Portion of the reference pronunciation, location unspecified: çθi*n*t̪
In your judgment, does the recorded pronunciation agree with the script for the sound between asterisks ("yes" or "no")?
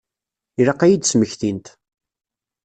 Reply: yes